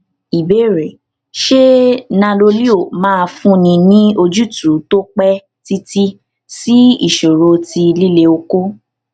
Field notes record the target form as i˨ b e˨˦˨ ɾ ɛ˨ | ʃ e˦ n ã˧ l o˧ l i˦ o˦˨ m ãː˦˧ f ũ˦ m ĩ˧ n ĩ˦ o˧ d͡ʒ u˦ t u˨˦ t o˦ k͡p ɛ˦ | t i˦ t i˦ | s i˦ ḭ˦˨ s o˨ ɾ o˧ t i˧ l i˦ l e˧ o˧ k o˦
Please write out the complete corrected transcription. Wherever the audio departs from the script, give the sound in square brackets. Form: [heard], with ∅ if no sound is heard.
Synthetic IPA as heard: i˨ b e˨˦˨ ɾ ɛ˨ | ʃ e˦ n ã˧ l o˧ l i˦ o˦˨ m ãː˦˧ f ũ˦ [n] ĩ˧ n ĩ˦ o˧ d͡ʒ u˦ t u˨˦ t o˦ k͡p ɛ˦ | t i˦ t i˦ | s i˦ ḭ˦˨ [ʃ] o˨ ɾ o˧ t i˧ l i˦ l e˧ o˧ k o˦